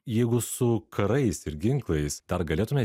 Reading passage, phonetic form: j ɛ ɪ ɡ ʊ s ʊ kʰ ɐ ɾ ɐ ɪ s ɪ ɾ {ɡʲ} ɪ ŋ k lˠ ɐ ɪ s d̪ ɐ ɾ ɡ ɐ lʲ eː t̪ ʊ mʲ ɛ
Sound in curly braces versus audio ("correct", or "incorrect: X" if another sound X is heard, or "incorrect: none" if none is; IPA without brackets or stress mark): correct